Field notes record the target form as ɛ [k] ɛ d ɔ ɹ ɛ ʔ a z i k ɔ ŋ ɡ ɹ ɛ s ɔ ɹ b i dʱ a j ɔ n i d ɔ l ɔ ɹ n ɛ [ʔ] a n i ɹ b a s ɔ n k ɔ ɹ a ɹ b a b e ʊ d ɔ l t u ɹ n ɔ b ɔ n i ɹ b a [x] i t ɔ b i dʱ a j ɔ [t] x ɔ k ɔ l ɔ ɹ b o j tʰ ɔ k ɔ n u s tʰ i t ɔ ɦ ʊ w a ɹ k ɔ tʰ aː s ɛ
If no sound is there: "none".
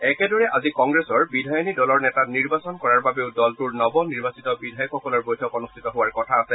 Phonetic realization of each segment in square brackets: k, t, s, k

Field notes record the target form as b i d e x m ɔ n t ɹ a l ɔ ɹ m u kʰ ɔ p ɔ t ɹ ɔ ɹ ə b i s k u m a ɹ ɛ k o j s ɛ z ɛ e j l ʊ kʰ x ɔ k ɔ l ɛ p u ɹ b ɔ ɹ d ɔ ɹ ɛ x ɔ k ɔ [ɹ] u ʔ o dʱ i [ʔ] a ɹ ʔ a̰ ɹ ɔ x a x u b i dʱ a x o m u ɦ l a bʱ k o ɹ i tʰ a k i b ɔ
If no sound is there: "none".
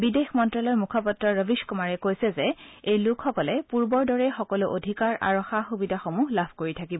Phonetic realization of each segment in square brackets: l, k

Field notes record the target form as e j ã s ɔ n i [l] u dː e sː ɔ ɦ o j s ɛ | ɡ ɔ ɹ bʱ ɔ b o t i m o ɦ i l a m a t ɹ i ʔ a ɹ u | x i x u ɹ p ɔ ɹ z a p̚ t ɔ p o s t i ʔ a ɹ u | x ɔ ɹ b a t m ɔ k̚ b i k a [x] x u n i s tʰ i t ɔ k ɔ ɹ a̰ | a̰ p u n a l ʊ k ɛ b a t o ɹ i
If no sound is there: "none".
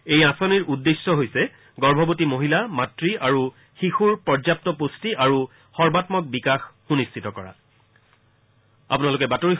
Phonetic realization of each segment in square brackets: ɹ, x

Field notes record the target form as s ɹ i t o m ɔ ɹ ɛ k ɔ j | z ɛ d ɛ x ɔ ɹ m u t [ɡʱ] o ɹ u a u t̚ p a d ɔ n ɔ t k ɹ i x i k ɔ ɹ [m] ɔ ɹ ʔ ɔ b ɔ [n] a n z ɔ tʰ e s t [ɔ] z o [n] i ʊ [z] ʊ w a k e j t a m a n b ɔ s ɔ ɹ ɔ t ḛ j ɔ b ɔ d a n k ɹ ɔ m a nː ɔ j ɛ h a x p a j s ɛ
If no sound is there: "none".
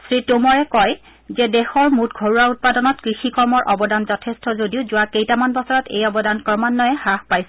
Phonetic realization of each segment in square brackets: ɡʱ, m, d, ɔ, d, z

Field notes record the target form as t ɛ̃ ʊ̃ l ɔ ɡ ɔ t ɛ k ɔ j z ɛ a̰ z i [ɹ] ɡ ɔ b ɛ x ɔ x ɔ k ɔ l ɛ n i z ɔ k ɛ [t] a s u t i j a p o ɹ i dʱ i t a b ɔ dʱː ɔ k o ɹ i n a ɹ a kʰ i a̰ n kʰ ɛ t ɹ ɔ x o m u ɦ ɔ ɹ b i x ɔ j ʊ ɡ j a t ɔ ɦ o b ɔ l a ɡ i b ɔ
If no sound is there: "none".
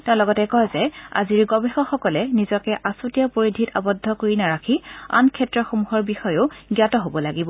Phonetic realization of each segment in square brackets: ɹ, ʔ

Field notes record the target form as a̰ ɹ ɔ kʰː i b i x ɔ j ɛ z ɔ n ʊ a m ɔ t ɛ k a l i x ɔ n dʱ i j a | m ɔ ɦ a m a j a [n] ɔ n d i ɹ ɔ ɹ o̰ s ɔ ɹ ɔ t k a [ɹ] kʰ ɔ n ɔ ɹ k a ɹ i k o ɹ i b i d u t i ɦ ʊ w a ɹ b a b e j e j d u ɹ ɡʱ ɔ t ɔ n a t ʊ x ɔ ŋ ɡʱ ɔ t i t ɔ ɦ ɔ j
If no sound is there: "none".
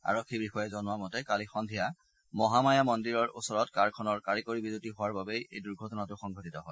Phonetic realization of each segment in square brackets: m, ɹ

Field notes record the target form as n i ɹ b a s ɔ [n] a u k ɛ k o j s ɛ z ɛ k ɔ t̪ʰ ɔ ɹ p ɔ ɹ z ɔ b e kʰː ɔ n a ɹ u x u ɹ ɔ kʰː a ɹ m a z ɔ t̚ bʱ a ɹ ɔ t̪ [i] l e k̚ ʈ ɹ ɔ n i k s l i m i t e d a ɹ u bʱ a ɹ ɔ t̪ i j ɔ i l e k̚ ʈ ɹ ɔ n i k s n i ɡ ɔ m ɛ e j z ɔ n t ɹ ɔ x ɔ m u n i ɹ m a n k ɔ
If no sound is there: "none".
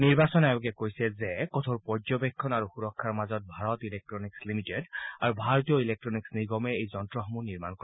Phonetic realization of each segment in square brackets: n, i

